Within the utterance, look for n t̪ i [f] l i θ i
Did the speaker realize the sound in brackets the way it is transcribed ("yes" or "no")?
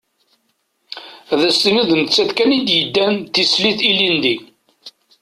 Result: no